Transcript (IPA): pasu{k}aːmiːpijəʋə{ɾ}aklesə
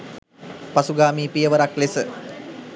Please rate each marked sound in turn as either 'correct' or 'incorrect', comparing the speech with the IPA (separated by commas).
incorrect, correct